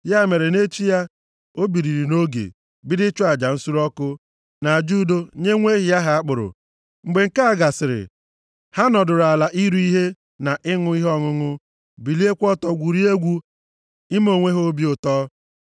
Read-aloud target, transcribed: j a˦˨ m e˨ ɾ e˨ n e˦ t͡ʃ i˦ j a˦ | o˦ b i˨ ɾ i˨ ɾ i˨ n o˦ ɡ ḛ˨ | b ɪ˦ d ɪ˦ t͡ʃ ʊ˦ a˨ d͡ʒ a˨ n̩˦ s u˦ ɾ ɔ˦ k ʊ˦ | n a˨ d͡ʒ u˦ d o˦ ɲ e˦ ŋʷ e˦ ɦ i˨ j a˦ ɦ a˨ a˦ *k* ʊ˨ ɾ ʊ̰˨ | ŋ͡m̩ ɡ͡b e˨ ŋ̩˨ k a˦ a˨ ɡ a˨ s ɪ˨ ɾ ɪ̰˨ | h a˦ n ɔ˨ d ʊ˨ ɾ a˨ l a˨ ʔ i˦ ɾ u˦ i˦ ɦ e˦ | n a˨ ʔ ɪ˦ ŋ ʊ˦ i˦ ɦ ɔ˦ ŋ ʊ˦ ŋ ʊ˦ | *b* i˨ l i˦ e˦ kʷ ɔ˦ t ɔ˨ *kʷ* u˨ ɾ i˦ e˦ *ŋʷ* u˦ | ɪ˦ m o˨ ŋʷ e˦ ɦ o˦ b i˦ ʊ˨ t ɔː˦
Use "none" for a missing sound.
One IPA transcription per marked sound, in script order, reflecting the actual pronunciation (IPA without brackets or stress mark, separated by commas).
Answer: k͡p, b, ɡʷ, ɡʷ